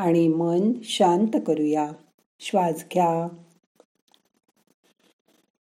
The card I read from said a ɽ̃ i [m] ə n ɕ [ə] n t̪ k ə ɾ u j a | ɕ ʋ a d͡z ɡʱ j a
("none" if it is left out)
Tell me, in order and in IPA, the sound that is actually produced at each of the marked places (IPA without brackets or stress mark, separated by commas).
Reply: m, a